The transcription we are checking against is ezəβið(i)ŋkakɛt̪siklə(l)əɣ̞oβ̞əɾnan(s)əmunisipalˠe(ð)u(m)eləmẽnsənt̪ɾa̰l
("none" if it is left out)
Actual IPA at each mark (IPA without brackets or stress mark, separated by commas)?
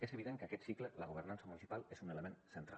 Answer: e, l, s, z, n